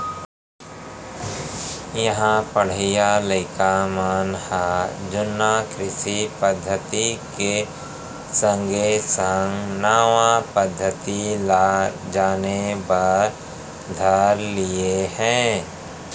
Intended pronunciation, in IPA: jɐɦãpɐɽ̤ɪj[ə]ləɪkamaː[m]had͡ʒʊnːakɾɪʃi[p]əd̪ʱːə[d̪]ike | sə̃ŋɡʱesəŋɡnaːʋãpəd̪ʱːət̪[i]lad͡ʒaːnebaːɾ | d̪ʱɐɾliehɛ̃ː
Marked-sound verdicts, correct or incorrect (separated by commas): incorrect, incorrect, correct, incorrect, correct